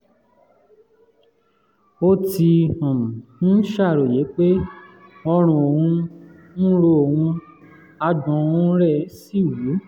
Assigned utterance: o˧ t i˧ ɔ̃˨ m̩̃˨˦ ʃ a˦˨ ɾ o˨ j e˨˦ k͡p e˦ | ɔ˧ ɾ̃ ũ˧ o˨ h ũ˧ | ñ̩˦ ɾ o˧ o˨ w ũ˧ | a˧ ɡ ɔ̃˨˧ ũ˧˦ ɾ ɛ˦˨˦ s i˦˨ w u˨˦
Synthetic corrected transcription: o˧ t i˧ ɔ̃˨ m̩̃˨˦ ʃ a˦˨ ɾ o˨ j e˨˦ k͡p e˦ | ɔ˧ ɾ̃ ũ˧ o˨ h ũ˧ | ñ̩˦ ɾ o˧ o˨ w ũ˧ | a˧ d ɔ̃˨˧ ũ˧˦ ɾ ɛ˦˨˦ s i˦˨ w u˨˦